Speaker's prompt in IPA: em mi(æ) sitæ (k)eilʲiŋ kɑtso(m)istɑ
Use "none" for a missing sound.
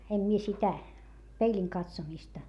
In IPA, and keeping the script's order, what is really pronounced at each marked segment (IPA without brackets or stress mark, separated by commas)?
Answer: e, p, m